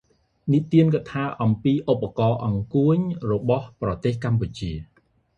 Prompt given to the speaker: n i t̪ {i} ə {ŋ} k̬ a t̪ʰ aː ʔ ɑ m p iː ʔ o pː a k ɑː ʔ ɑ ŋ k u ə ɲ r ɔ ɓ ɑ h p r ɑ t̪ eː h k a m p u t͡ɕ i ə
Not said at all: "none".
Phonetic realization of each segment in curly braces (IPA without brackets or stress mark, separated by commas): i, n